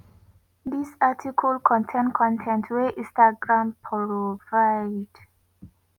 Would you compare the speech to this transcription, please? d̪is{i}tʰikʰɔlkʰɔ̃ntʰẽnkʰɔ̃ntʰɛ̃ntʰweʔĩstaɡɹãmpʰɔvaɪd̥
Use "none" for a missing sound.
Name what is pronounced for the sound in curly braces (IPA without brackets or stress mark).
a